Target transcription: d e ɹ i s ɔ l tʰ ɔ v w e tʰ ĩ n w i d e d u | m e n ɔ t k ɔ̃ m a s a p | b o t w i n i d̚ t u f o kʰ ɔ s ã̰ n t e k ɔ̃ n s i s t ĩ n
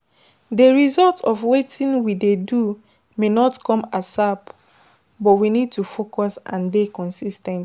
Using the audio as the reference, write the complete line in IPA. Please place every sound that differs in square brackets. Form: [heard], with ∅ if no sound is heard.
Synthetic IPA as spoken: d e ɹ i [z] ɔ l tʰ ɔ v w e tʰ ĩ n w i d e d u | m e n ɔ t k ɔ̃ m a s a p | b [ɔ] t w i n i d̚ t u f o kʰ ɔ s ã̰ n [d] e k ɔ̃ n s i s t [ɛ̃] n